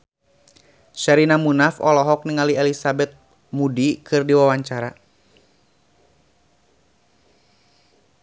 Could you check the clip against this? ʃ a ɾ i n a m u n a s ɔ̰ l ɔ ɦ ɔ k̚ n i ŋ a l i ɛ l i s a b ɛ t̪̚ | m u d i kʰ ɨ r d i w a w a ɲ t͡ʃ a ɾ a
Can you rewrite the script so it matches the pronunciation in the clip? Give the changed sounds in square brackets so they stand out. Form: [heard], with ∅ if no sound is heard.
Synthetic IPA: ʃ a ɾ i n a m u n a [f] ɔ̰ l ɔ ɦ ɔ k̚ n i ŋ a l i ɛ l i s a b ɛ t̪̚ | m u d i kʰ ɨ r d i w a w a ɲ t͡ʃ a ɾ a